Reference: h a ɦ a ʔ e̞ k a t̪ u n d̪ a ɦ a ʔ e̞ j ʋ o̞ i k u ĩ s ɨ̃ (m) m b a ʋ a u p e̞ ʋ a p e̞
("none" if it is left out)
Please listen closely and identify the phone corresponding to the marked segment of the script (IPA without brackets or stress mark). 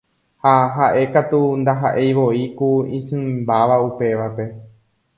m